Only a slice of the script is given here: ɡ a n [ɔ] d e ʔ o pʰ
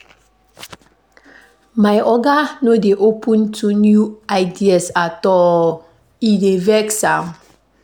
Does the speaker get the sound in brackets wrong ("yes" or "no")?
yes